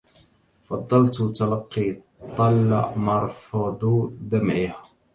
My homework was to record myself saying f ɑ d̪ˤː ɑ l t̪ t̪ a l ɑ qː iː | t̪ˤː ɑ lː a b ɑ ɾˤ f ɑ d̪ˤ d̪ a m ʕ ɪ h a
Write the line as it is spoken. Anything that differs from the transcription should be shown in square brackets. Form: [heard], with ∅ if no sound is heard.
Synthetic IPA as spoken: f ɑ d̪ˤː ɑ l t̪ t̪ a l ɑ qː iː | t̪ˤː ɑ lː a [m] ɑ ɾˤ f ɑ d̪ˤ d̪ a m ʕ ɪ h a